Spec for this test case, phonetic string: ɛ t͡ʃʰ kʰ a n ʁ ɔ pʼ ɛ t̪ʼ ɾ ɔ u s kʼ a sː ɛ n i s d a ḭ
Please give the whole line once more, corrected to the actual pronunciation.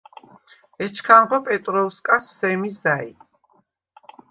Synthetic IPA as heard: ɛ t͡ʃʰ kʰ a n ʁ ɔ pʼ ɛ t̪ʼ ɾ ɔ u s kʼ a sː ɛ m i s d a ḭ